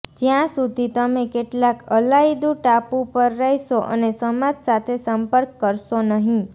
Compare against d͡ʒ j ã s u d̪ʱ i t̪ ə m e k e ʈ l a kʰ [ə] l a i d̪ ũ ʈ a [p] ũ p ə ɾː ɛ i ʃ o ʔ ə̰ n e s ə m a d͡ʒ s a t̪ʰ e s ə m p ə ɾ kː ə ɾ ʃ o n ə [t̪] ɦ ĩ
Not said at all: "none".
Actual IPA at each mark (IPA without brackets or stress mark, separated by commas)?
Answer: ə, p, none